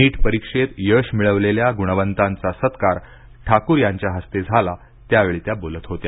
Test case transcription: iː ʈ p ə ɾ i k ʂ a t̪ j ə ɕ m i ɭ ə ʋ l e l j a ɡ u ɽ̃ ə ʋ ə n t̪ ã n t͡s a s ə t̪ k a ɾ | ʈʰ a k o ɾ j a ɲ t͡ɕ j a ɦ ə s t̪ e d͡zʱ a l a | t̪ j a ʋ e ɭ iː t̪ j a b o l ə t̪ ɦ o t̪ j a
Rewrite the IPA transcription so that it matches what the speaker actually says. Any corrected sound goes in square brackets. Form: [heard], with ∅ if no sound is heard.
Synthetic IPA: iː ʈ p ə ɾ i k ʂ [e] t̪ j ə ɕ m i ɭ ə ʋ l e l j a ɡ u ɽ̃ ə ʋ ə n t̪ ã n t͡s a s ə t̪ k a ɾ | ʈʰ a k [u] ɾ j a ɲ t͡ɕ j a ɦ ə s t̪ e d͡zʱ a l a | t̪ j a ʋ e ɭ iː t̪ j a b o l ə t̪ ɦ o t̪ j a